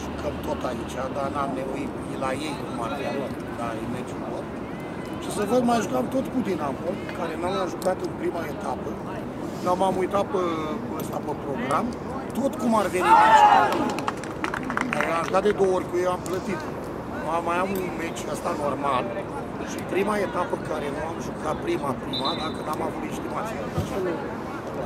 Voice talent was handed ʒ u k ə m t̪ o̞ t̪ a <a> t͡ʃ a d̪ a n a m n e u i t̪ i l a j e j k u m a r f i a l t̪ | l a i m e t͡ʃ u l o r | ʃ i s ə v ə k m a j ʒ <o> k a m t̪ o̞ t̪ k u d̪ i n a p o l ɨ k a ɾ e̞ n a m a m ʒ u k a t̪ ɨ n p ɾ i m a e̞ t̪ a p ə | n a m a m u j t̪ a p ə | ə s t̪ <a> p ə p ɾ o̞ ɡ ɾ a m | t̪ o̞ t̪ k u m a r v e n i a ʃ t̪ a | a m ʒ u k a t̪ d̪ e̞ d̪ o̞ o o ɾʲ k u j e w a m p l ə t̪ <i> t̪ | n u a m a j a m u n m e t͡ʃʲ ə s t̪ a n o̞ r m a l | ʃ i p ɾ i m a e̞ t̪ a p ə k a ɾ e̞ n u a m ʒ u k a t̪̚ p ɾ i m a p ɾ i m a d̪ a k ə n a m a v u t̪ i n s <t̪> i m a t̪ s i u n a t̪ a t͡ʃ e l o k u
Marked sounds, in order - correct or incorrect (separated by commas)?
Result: incorrect, incorrect, correct, correct, correct